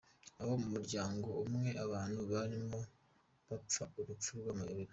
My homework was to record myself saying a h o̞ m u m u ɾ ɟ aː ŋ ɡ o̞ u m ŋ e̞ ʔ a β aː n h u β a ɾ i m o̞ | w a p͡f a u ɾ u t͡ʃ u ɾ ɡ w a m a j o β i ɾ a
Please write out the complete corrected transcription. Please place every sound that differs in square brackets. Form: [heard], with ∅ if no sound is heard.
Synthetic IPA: a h o̞ m u m u ɾ ɟ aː ŋ ɡ o̞ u m ŋ e̞ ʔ a β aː n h u β a ɾ i m o̞ | [β] a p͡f a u ɾ u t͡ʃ u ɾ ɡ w a m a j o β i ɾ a